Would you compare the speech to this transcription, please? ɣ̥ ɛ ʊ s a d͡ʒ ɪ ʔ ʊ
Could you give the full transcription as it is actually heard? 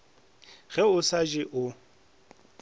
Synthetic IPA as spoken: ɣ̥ ɛ ʊ s a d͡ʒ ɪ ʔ ʊ

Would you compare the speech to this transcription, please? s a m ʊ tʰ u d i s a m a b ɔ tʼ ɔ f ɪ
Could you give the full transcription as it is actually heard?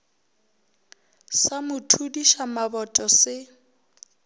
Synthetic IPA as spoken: s a m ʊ tʰ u d i ʃ a m a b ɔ tʼ ɔ s ɪ

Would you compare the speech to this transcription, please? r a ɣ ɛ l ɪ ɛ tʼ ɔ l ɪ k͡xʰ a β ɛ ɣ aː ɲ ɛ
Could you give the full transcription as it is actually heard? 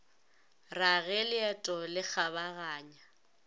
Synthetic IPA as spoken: r a ɣ ɛ l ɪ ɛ tʼ ɔ l ɪ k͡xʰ a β a ɣ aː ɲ a

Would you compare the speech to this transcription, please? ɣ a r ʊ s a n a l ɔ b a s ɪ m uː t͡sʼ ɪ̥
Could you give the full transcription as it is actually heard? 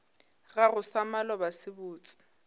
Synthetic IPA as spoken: ɣ a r ʊ s a m a l ɔ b a s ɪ b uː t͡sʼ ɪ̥

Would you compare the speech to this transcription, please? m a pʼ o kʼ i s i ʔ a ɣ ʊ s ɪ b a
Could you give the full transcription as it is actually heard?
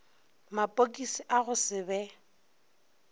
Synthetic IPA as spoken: m a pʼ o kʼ i s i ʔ a ɣ ʊ s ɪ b ɛ

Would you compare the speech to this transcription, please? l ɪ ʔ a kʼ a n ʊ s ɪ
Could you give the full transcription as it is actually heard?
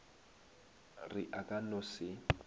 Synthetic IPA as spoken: r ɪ ʔ a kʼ a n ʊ s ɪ

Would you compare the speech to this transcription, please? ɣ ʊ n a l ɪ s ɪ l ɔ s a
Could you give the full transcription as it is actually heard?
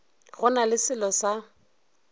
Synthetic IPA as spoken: ɣ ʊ n a l ɪ s ɪ l ɔ s a

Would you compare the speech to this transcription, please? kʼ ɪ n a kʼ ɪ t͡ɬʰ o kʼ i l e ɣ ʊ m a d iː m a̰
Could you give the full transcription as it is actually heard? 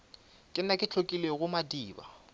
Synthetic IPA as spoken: kʼ ɪ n a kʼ ɪ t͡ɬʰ o kʼ i l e ɣ ʊ m a d iː b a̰

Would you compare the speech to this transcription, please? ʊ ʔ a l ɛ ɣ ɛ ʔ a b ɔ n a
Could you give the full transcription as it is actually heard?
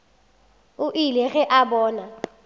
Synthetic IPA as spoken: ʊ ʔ i l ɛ ɣ ɛ ʔ a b ɔː n a

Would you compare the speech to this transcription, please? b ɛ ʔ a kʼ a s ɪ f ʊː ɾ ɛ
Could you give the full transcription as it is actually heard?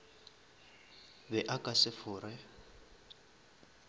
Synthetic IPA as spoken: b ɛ ʔ a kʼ a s ɪ f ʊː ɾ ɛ

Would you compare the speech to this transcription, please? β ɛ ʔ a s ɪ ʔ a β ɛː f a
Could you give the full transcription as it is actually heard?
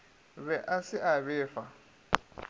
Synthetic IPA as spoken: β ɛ ʔ a s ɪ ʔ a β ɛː f a

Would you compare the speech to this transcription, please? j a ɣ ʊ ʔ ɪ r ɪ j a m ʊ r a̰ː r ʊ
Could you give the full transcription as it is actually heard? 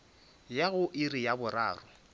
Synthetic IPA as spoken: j a ɣ ʊ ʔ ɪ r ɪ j a b ʊ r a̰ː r ʊ

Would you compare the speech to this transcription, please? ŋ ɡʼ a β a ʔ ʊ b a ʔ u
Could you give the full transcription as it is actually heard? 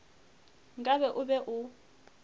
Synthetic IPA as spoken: ŋ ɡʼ a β ɛ ʔ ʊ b ɛ ʔ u

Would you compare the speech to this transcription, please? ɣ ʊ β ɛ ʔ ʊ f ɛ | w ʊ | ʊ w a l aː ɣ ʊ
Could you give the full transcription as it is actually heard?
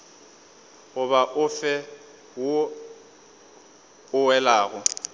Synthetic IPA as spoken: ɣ ʊ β a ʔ ʊ f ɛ | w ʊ | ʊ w ɛ l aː ɣ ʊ

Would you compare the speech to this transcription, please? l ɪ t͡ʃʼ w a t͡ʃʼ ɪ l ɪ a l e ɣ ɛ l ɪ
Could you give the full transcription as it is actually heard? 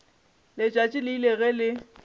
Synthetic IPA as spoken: l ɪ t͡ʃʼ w a t͡ʃʼ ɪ l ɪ i l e ɣ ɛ l ɪ

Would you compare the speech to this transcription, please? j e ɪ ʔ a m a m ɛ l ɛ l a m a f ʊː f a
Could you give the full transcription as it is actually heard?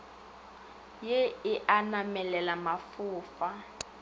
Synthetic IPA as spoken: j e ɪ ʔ a n a m ɛ l ɛ l a m a f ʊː f a

